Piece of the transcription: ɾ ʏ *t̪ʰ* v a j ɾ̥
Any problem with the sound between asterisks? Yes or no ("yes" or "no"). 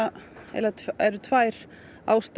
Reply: no